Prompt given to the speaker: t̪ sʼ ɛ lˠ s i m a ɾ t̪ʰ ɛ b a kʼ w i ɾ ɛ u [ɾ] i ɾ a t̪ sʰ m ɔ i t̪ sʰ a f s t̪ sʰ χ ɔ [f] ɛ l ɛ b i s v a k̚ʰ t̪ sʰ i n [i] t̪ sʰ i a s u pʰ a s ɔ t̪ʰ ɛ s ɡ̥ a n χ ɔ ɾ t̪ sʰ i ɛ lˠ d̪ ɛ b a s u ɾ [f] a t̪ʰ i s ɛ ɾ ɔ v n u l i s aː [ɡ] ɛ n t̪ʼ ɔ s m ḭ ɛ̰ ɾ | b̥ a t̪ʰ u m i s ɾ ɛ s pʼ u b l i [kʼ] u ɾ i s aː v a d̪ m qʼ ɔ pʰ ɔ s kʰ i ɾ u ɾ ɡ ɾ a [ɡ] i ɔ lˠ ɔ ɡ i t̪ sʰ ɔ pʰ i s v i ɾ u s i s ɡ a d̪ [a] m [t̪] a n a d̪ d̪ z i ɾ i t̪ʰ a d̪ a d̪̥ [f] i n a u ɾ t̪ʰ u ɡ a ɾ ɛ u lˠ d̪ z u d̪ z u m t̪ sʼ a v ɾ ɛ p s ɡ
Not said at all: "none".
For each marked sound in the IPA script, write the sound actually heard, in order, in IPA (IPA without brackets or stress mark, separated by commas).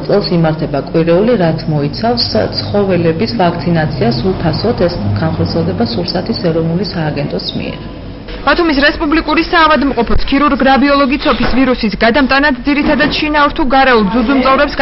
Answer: l, v, a, s, ɡ, kʼ, b, a, t̪ʼ, ʃ